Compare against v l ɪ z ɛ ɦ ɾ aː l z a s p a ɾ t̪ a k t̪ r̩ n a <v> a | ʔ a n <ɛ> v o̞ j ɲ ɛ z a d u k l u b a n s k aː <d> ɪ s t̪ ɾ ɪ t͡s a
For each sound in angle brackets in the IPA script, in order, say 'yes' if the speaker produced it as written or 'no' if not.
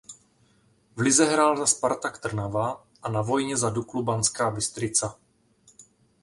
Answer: yes, no, no

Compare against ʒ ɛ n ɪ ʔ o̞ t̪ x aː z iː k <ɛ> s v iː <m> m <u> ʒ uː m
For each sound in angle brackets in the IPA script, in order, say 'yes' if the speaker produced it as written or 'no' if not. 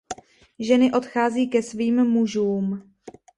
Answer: yes, yes, yes

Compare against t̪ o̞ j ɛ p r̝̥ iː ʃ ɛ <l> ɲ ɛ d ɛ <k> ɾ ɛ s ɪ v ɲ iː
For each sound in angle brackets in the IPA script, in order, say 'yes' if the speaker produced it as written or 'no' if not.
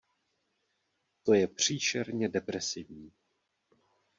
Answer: no, no

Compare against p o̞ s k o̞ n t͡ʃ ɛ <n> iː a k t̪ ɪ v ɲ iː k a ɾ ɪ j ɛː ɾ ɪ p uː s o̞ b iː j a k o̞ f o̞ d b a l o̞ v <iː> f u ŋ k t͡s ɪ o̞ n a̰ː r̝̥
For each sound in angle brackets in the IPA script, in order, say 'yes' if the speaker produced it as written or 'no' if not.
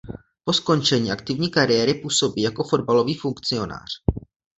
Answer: no, yes

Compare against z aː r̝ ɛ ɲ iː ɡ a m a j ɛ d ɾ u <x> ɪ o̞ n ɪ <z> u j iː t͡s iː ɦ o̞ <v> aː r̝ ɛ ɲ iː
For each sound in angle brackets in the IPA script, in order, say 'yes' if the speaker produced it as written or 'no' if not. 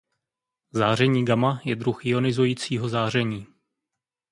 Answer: yes, yes, no

